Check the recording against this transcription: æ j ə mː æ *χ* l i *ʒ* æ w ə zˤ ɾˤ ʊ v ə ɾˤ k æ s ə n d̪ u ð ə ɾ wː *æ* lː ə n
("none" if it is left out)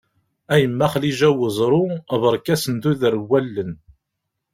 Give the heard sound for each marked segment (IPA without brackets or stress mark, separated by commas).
χ, ʒ, æ